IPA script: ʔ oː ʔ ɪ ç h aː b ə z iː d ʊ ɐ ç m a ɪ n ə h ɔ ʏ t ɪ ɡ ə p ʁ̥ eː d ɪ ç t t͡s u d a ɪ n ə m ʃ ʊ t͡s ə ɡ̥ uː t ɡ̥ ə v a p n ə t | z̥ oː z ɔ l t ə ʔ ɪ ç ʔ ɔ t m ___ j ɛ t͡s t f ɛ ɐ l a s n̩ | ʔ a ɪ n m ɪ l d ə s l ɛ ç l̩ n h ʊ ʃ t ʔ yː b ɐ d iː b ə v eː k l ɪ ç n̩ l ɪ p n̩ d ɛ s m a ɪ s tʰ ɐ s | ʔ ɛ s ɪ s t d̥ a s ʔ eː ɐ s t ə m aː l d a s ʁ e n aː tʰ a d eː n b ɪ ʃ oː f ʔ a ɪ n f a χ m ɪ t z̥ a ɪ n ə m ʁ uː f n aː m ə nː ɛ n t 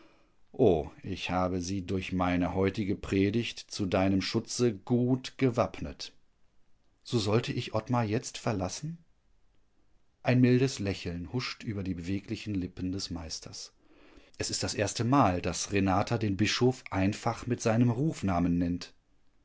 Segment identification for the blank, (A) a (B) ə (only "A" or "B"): A